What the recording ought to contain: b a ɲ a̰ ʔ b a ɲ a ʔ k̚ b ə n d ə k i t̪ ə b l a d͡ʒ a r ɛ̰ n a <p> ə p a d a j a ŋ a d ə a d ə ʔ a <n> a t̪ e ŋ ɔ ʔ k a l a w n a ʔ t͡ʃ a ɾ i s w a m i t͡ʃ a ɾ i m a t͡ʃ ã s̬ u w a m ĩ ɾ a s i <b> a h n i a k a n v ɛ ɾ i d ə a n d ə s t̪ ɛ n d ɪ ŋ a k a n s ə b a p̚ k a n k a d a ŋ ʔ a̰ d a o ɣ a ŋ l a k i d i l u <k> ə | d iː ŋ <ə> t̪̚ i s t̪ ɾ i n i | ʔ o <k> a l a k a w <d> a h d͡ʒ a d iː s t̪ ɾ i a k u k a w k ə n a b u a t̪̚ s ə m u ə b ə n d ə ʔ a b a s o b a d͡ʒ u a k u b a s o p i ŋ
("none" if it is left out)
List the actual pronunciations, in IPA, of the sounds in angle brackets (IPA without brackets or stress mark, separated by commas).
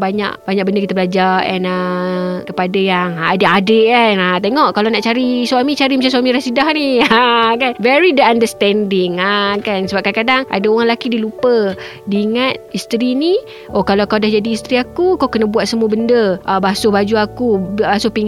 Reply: k, n, d, p, a, k, d